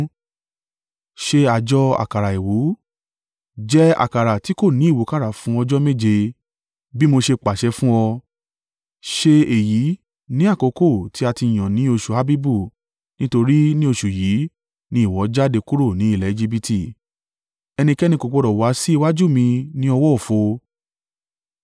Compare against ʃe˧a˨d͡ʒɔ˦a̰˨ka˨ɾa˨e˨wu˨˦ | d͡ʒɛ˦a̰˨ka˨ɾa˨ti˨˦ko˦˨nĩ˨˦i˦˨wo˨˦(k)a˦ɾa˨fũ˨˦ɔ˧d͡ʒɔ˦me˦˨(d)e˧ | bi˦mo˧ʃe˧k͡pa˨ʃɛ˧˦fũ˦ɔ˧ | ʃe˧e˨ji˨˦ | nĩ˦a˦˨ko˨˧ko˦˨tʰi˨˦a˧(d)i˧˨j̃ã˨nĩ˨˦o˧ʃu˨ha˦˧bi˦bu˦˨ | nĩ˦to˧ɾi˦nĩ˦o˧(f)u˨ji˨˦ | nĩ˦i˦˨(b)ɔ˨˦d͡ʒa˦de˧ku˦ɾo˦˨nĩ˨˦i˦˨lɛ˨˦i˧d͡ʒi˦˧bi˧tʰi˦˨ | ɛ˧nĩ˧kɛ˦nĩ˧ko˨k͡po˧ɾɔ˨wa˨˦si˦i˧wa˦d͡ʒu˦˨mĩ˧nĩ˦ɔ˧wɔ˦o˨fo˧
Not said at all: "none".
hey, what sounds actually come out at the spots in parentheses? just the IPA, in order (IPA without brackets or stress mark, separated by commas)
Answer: k, d͡ʒ, t, ʃ, w